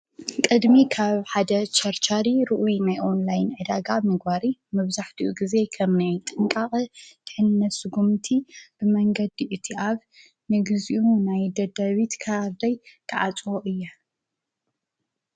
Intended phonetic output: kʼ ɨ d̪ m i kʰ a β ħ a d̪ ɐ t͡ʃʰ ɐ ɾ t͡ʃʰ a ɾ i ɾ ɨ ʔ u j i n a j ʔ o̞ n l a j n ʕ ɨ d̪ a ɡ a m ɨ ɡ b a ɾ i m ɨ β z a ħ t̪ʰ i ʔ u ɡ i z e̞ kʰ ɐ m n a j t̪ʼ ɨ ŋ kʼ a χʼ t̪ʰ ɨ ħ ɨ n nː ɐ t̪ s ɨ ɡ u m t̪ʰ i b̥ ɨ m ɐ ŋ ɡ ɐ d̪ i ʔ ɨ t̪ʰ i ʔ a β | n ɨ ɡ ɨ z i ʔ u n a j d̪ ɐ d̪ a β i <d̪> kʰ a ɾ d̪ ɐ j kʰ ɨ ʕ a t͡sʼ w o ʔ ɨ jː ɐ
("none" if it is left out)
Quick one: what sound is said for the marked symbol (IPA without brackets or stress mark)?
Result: t̪